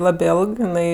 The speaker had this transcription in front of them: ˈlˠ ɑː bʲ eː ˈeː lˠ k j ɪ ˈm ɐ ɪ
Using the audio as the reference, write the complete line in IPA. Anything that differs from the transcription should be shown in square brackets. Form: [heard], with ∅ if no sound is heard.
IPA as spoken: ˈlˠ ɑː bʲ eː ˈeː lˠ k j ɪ [ˈn] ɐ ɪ